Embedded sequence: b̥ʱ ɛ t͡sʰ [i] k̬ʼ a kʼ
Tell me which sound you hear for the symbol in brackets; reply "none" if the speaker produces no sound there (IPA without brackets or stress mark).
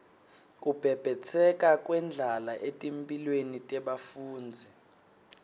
ɛ